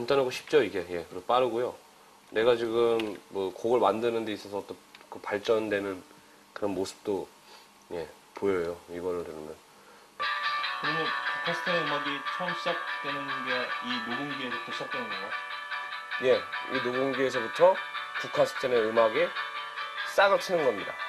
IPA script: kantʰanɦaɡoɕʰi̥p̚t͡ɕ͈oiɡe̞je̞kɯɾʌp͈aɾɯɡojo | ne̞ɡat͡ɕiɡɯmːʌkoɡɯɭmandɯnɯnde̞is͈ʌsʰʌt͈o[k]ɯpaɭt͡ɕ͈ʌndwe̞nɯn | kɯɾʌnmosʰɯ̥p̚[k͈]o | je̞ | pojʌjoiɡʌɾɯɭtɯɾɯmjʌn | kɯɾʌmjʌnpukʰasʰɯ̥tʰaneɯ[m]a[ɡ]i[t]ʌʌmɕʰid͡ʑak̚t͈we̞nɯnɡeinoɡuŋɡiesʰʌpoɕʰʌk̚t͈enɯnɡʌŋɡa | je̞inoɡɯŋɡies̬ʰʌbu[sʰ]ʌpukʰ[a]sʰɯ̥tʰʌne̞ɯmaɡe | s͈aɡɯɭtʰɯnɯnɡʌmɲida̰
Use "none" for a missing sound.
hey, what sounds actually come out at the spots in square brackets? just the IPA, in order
k, t͈, m, ɡ, t͡ɕʰ, tʰ, a

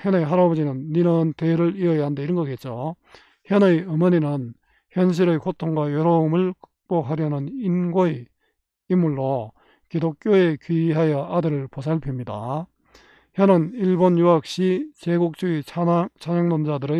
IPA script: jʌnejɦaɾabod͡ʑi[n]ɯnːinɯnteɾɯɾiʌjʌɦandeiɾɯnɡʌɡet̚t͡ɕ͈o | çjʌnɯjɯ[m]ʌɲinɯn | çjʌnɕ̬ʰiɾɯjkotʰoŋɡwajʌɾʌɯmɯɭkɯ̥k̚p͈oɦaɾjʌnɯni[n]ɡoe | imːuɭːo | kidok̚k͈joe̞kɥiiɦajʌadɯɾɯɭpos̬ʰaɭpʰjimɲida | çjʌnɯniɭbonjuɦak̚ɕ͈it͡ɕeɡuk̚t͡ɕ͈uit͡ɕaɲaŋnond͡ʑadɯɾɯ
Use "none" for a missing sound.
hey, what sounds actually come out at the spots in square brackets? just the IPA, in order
n, m, n

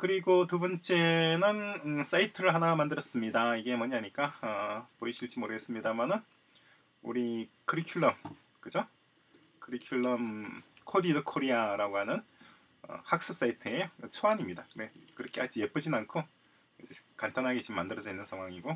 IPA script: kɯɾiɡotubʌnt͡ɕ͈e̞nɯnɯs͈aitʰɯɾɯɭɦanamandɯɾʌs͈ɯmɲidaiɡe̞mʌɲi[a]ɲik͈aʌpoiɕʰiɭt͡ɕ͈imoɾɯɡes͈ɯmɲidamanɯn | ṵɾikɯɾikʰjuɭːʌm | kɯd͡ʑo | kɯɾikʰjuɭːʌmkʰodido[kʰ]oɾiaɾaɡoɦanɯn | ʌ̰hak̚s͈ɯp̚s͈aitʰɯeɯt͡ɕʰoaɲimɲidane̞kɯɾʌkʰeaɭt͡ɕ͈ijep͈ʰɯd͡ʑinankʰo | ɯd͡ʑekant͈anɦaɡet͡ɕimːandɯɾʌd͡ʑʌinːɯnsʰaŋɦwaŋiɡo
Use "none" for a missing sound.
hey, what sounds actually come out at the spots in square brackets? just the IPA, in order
a, kʰ

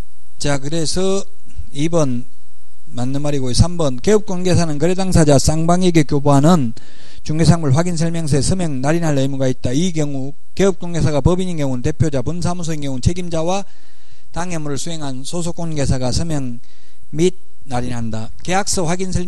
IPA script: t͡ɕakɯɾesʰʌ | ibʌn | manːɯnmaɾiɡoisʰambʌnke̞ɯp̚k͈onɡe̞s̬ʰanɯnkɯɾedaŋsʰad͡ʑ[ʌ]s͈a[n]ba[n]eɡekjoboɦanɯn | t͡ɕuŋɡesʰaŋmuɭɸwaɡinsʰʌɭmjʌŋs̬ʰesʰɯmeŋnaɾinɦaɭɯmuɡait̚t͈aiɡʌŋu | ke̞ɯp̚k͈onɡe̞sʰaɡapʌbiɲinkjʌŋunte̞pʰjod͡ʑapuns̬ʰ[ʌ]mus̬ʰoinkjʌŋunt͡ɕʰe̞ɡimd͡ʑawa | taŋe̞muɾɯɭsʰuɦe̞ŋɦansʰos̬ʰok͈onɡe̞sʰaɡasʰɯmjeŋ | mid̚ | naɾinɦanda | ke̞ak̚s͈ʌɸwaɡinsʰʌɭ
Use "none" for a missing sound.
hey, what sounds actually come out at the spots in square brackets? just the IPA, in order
a, ŋ, ŋ, a

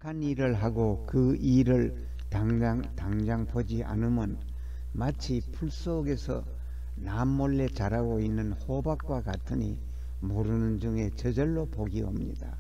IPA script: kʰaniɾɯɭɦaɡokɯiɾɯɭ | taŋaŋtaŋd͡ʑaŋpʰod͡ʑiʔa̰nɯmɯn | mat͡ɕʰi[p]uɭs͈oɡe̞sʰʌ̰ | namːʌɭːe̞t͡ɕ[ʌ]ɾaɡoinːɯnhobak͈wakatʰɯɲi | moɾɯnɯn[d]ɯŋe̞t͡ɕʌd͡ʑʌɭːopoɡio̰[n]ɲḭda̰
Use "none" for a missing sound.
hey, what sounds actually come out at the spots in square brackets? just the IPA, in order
pʰ, a, d͡ʑ, m

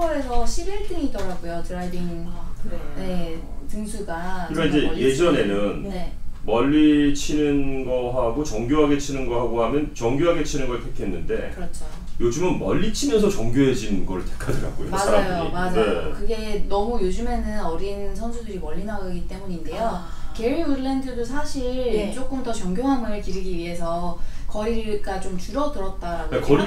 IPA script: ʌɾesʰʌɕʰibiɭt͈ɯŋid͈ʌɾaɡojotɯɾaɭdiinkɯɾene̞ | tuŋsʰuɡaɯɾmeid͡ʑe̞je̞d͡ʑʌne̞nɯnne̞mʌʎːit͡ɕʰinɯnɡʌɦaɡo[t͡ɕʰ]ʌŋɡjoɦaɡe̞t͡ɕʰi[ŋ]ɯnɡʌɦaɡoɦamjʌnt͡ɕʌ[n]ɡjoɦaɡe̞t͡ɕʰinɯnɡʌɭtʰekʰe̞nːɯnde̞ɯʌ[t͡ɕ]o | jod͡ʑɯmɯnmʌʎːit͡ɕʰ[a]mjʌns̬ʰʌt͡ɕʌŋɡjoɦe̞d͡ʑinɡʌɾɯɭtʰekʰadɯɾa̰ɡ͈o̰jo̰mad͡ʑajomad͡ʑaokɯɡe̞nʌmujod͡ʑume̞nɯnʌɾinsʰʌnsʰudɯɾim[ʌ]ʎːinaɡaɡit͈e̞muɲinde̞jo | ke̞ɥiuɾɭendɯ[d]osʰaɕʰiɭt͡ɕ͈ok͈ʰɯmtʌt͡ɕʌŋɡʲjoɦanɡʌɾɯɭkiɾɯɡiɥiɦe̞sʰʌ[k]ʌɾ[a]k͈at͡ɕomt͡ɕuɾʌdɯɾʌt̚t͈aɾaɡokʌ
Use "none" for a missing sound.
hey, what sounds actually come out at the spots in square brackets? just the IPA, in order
t͡ɕ, n, ŋ, t͡ɕʰ, i, ʌ, d, k, i

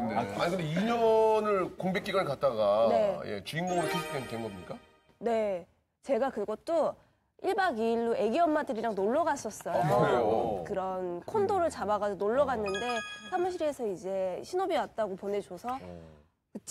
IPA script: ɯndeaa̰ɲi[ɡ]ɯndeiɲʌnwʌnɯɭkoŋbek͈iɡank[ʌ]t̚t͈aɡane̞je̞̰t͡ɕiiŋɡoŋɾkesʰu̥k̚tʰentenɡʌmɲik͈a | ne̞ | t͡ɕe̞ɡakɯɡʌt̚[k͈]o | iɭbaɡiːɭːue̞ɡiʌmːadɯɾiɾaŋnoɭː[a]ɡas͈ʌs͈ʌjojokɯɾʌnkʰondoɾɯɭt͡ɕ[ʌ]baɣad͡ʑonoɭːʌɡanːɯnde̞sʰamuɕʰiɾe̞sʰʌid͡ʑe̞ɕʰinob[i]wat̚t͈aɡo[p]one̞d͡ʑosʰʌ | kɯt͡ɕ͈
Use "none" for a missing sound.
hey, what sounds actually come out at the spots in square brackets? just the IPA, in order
k, a, t͈, ʌ, a, i, p

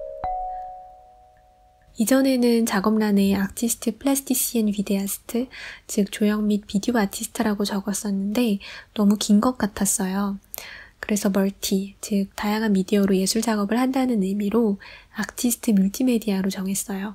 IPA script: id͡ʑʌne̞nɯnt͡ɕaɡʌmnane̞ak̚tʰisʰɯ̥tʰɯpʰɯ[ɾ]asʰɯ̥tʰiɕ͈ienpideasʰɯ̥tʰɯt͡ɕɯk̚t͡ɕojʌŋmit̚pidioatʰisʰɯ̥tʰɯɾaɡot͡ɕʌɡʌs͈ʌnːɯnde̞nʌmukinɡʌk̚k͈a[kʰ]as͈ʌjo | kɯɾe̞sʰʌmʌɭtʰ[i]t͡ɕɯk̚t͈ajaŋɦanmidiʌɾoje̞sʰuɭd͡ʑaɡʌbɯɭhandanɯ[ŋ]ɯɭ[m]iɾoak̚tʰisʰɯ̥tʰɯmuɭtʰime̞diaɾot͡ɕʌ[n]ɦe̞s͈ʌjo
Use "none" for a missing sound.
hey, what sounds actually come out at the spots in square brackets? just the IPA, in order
ɭ, tʰ, i, n, m, ŋ

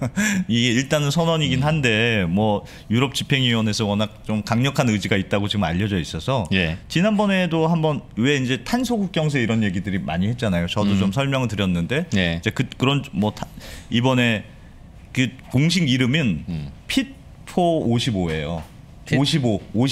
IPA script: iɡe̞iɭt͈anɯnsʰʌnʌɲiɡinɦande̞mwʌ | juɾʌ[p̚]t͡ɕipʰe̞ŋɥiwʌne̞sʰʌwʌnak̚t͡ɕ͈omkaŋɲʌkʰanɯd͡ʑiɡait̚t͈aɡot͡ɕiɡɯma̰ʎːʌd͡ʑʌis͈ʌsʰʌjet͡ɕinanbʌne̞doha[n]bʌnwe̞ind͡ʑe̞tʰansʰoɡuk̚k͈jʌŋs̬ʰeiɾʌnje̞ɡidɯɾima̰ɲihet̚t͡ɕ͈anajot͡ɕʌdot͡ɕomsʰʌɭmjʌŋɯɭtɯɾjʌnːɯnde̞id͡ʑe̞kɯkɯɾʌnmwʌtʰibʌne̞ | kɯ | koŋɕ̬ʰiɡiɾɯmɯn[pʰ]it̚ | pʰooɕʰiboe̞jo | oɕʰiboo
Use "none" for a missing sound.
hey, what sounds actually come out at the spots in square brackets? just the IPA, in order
p̚, m, pʰ

